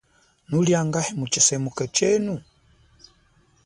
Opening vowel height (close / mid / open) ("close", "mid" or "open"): close